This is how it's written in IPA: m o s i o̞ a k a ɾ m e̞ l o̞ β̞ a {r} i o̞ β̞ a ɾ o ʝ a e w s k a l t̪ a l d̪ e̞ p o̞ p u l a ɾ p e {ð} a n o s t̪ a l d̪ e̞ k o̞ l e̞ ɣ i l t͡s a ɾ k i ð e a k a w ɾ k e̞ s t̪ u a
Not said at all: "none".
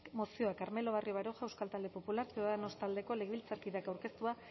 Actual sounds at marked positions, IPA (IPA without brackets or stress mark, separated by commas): r, ð